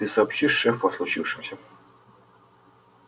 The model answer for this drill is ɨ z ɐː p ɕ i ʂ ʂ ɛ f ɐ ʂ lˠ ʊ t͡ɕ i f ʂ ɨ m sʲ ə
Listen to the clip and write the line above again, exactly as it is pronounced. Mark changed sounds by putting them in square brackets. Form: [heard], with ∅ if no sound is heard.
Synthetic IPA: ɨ [s] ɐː p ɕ i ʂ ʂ ɛ f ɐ [s] lˠ ʊ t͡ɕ i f ʂ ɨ m sʲ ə